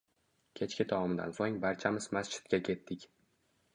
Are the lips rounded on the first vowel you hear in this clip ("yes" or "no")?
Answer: no